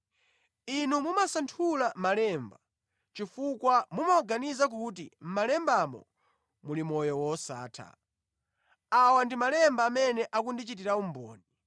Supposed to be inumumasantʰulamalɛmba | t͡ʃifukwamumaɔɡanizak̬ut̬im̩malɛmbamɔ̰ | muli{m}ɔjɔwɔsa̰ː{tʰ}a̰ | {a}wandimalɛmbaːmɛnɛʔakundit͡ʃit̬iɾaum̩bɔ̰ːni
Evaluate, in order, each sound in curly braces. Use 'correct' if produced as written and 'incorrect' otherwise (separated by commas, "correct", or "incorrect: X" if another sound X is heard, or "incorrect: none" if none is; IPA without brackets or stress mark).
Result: correct, correct, correct